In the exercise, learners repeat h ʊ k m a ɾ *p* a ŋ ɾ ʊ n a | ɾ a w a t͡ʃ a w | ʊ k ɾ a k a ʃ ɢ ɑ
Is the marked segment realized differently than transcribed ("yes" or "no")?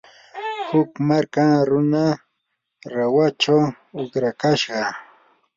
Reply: yes